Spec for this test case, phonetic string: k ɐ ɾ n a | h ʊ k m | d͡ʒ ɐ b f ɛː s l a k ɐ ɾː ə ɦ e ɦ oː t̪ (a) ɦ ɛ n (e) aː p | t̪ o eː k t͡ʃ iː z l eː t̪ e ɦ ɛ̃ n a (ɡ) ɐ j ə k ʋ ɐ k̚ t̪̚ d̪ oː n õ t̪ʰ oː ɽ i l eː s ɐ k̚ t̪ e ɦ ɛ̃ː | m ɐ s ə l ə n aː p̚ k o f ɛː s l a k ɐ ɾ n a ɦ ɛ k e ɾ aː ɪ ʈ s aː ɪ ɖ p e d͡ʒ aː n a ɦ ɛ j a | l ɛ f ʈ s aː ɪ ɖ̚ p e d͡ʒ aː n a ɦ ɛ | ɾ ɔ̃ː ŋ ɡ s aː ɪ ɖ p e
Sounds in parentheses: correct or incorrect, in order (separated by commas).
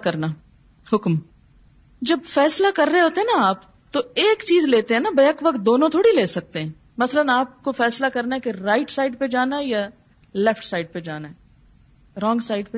incorrect, incorrect, incorrect